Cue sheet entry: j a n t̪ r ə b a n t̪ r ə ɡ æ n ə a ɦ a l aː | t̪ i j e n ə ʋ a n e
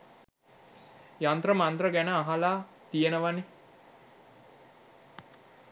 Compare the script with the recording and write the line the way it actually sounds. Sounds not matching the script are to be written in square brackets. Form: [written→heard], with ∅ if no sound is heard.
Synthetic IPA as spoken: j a n t̪ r ə [b→m] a n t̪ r ə ɡ æ n ə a ɦ a l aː | t̪ i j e n ə ʋ a n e